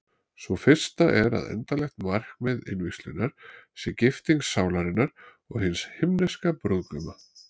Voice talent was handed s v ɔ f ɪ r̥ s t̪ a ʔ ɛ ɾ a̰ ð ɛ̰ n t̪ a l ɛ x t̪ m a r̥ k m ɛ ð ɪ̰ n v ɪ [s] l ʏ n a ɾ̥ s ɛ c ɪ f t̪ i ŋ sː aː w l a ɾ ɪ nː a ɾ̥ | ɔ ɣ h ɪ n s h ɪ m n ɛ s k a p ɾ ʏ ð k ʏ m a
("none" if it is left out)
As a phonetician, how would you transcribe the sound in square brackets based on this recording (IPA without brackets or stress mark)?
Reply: s